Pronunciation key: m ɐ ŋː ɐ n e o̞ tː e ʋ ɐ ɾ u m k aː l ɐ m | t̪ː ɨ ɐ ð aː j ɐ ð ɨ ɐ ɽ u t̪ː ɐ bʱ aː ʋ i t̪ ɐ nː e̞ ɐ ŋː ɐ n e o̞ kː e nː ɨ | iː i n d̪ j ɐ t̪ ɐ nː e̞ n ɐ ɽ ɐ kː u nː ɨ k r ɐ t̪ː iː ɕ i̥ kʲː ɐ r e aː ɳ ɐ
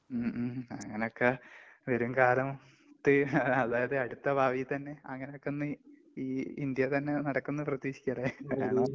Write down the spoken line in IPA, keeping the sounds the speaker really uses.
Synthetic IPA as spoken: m ɐ ŋː ɐ n e o̞ kː e ʋ ɐ ɾ u m k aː l ɐ m | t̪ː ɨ ɐ ð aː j ɐ ð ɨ ɐ ɽ u t̪ː ɐ bʱ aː ʋ i t̪ ɐ nː e̞ ɐ ŋː ɐ n e o̞ kː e nː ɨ | iː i n d̪ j ɐ t̪ ɐ nː e̞ n ɐ ɽ ɐ kː u nː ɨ p r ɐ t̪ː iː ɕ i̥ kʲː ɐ r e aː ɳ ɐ